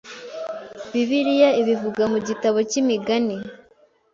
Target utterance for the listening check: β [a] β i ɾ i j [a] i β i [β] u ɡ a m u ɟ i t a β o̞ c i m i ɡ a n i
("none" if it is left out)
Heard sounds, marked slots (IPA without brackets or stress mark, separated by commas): i, a, v